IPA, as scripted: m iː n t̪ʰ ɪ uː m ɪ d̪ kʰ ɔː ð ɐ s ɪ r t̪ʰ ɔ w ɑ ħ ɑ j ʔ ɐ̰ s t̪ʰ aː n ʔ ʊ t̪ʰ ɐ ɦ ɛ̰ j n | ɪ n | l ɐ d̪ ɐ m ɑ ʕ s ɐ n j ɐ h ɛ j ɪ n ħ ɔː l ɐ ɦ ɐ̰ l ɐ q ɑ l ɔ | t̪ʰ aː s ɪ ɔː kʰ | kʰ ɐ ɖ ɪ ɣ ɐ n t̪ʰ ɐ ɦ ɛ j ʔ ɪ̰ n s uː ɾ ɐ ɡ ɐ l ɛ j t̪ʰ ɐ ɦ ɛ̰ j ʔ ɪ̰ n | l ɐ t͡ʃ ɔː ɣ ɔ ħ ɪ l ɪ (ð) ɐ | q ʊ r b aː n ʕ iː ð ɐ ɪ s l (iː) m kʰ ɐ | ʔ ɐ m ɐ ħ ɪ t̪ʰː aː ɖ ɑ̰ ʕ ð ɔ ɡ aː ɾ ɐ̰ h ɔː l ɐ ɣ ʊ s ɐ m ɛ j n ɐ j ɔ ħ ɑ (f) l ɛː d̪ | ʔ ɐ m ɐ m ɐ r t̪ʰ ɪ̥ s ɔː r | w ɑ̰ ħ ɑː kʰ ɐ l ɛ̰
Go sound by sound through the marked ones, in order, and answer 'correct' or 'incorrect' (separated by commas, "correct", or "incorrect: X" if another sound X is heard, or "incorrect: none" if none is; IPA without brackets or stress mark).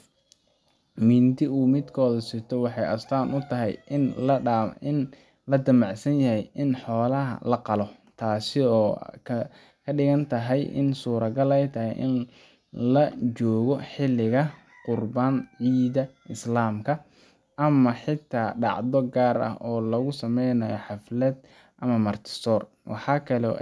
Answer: incorrect: ɣ, incorrect: aː, correct